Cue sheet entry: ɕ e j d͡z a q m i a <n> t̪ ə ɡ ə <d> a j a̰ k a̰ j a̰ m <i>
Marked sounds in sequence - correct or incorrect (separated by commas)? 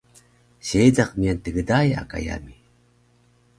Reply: correct, correct, correct